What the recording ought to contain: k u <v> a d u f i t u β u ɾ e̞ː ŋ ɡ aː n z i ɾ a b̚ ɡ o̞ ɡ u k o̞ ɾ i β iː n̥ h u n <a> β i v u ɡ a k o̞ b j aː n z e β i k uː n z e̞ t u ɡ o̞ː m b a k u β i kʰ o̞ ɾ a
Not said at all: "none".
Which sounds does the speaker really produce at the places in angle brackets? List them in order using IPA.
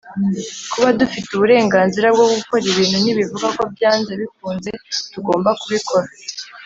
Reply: β, i

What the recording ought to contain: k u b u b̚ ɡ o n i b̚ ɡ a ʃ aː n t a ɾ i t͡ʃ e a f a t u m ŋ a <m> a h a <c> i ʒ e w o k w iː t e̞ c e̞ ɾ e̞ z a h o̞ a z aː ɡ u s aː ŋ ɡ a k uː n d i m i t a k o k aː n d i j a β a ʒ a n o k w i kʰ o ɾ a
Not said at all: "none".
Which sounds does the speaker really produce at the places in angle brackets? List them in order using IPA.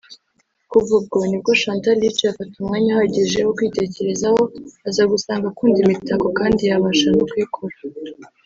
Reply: ɲ, ɟ

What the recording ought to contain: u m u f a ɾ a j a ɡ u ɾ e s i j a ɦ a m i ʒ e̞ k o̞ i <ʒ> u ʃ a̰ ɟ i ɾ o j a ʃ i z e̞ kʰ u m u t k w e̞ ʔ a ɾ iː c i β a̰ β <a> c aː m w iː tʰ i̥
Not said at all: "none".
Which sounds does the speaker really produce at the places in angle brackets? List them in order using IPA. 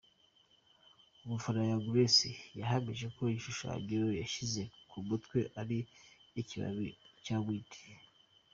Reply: ʃ, i

